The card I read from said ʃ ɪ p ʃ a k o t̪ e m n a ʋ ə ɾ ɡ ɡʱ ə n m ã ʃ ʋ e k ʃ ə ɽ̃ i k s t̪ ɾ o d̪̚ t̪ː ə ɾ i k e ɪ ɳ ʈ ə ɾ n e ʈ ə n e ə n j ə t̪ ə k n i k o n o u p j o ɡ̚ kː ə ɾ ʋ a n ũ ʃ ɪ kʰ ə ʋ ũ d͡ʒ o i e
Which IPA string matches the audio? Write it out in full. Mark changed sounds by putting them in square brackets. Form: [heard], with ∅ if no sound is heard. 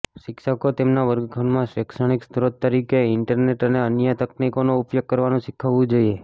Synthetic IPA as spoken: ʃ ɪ [k] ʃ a k o t̪ e m n a ʋ ə ɾ ɡ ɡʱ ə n m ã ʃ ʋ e k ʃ ə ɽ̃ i k s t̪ ɾ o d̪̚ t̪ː ə ɾ i k e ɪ ɳ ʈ ə ɾ n e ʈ ə n e ə n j ə t̪ ə k n i k o n o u p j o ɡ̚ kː ə ɾ ʋ a n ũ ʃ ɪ kʰ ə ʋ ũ d͡ʒ o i e